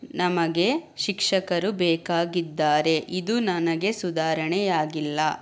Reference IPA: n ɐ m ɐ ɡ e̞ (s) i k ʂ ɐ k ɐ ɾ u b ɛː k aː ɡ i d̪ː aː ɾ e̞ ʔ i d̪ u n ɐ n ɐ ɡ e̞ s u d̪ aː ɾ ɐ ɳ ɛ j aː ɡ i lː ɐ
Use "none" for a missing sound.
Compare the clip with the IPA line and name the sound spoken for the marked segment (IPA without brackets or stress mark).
ʃ